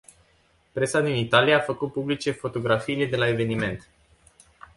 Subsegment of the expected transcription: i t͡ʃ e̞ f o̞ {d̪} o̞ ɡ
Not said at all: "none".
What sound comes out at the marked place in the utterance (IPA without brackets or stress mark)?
t̪